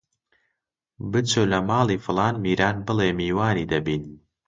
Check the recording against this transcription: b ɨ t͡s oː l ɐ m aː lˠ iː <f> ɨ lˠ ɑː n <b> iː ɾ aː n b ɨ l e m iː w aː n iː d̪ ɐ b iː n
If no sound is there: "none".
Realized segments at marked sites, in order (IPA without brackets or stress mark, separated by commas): f, m